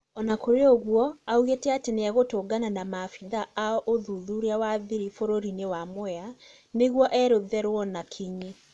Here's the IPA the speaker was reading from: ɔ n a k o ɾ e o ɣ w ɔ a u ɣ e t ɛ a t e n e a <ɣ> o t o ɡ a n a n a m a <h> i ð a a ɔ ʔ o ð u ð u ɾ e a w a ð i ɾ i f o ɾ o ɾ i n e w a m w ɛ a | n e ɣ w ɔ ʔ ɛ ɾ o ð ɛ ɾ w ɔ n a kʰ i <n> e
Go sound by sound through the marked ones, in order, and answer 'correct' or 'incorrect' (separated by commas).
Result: correct, incorrect, incorrect